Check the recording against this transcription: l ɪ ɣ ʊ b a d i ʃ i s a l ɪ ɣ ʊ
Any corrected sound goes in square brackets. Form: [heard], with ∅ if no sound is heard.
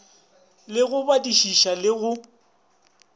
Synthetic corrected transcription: l ɪ ɣ ʊ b a d i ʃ i [ʃ] a l ɪ ɣ ʊ